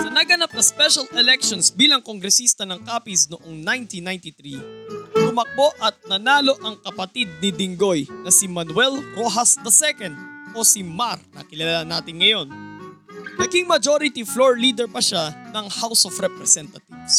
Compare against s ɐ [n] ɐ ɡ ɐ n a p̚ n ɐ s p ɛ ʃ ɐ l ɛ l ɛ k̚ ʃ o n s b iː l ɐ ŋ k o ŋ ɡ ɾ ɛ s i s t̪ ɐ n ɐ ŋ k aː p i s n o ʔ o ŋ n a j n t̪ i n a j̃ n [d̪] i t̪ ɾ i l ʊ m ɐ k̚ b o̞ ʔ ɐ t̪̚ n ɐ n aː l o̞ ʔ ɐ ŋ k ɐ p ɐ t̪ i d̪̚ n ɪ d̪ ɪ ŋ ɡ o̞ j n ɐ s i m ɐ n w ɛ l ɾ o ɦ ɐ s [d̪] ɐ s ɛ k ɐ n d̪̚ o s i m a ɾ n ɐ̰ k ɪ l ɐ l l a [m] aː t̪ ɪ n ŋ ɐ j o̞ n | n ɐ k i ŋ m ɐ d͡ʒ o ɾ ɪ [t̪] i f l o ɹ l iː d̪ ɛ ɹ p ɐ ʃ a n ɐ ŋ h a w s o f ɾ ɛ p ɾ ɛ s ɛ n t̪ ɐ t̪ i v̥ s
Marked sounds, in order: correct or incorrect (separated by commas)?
correct, incorrect, correct, incorrect, correct